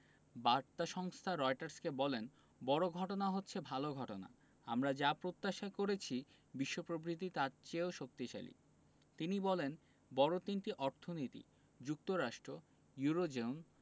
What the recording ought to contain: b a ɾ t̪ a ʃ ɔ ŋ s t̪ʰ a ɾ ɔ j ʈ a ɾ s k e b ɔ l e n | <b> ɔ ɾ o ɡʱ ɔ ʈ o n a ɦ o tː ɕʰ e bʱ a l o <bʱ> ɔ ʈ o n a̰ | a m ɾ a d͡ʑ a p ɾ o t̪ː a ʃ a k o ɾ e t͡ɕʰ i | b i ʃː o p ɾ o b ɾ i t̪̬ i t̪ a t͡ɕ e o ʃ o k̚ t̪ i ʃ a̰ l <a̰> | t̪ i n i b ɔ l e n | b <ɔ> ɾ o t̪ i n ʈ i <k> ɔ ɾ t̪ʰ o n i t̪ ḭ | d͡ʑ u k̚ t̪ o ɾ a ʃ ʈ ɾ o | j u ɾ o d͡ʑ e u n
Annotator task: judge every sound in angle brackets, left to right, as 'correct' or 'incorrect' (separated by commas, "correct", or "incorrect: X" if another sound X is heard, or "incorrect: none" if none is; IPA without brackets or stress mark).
correct, incorrect: ɡʱ, incorrect: ḭ, correct, incorrect: ʔ